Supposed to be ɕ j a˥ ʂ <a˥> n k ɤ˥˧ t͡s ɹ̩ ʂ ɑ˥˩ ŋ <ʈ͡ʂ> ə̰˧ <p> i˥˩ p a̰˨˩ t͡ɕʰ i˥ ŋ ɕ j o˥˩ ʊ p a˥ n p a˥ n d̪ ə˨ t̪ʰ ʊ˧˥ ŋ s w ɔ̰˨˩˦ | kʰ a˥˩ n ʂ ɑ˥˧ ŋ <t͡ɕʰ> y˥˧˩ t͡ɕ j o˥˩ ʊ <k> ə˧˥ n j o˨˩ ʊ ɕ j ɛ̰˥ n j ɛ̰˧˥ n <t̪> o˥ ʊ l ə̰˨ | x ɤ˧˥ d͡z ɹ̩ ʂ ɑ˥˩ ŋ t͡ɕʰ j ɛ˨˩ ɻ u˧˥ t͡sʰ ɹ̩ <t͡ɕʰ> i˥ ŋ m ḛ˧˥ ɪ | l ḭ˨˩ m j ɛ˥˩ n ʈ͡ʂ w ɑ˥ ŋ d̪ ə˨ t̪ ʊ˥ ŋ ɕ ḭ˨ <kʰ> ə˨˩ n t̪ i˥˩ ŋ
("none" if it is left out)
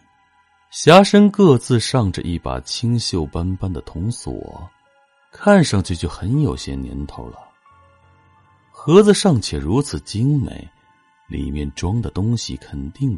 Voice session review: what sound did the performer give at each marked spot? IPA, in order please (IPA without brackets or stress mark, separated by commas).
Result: ə˥, ʈ͡ʂ, ʔ, t͡ɕʰ, x, t̪ʰ, t͡ɕ, kʰ